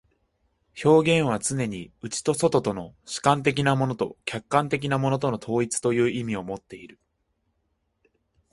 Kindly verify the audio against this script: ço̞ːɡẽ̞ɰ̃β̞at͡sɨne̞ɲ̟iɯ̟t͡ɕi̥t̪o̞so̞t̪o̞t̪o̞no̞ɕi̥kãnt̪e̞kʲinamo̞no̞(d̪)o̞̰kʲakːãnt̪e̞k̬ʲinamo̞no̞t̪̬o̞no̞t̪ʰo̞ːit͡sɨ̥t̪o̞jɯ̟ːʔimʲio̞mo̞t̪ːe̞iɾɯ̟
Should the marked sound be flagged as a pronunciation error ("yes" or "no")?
yes